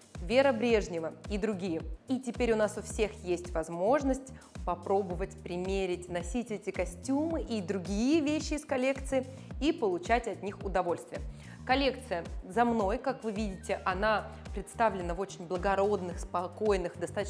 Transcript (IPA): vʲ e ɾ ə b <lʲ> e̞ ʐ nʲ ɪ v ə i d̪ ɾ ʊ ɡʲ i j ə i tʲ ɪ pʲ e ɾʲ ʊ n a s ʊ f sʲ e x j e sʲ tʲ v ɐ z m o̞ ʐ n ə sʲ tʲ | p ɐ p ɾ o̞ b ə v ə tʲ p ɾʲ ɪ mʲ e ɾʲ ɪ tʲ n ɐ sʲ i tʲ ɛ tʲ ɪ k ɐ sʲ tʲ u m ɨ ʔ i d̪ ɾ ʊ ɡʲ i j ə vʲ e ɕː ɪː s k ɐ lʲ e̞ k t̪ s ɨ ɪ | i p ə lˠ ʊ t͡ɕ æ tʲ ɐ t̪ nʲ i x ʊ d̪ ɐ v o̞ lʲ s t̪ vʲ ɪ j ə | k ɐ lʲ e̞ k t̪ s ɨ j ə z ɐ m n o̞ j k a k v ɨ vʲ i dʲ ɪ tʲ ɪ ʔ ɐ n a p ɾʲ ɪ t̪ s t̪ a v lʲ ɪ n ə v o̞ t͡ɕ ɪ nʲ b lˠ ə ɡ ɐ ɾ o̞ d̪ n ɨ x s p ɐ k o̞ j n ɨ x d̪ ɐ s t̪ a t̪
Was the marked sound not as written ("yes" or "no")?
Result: yes